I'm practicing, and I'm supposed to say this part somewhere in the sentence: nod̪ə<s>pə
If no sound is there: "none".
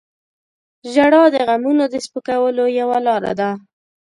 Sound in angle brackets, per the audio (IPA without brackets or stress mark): s